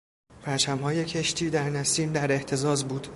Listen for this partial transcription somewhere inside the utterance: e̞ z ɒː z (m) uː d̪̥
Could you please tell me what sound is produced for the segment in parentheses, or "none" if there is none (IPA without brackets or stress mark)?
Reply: b